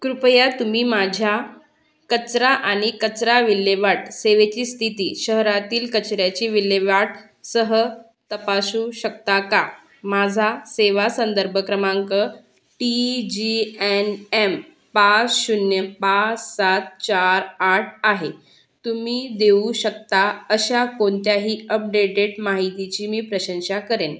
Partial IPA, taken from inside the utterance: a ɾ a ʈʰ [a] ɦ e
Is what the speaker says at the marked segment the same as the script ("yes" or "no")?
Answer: yes